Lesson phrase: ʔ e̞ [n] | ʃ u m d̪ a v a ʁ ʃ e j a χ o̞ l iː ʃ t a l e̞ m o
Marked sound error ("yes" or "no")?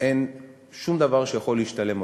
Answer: no